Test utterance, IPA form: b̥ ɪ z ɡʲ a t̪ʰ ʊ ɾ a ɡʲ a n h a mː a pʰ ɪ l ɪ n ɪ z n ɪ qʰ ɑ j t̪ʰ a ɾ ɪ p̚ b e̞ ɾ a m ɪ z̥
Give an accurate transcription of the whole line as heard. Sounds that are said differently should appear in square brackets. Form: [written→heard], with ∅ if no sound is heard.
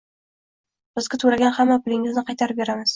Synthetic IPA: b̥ ɪ z ɡʲ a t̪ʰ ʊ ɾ a ɡʲ a n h a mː a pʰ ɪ l ɪ [n→ŋ] ɪ z n ɪ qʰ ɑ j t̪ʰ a ɾ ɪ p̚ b e̞ ɾ a m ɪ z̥